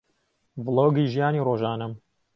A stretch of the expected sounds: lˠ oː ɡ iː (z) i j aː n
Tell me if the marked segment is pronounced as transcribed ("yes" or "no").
no